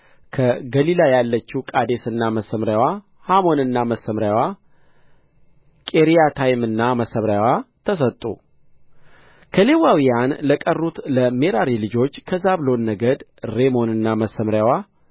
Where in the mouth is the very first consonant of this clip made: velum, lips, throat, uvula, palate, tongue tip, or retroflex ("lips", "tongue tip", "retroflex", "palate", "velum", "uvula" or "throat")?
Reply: velum